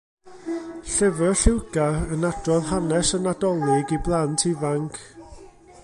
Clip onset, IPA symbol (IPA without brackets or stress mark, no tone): ɬ